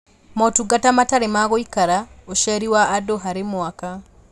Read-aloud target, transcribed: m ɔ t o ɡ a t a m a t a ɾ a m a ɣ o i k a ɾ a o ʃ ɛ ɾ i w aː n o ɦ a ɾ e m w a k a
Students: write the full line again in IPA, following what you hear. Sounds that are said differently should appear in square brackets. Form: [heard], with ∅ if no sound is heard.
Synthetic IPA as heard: m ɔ t [u] ɡ a t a m a t a ɾ [e] m a ɣ o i k a ɾ a o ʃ ɛ ɾ i w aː [d] o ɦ a ɾ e m w a k a